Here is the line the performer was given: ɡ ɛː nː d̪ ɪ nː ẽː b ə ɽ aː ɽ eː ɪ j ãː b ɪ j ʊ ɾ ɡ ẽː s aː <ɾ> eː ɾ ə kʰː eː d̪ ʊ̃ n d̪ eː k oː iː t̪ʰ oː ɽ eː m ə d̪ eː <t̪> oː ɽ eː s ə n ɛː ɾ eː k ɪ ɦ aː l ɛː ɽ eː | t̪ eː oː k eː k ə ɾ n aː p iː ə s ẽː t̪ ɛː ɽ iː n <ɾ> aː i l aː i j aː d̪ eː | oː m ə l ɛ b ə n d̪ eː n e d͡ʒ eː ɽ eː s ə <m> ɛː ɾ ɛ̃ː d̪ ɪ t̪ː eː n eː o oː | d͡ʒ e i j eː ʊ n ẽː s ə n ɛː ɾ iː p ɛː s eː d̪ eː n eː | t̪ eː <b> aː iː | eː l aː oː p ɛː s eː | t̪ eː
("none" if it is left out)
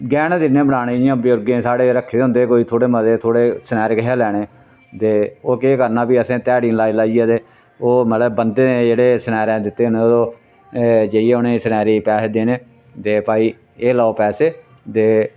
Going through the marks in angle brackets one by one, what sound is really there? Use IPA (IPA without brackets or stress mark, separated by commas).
ɽ, t̪ʰ, l, n, p